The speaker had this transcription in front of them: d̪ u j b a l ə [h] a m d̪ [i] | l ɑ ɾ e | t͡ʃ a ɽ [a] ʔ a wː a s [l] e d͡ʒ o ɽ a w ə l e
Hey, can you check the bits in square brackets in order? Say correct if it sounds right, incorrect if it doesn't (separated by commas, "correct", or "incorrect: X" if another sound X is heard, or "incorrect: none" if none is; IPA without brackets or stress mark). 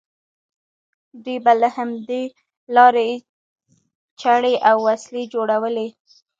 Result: correct, incorrect: e, incorrect: e, correct